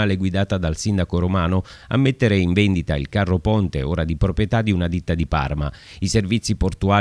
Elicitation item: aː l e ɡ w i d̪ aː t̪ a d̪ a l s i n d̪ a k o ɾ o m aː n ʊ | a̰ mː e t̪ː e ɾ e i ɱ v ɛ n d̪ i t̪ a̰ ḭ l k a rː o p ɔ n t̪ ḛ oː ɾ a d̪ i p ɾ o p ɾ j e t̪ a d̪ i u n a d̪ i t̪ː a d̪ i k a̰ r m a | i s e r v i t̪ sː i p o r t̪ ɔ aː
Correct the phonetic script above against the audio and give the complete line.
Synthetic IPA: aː l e ɡ w i d̪ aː t̪ a d̪ a l s i n d̪ a k o ɾ o m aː n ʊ | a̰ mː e t̪ː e ɾ e i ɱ v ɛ n d̪ i t̪ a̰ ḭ l k a rː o p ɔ n t̪ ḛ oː ɾ a d̪ i p ɾ o p ɾ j e t̪ a d̪ i u n a d̪ i t̪ː a d̪ i p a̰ r m a | i s e r v i t̪ sː i p o r t̪ u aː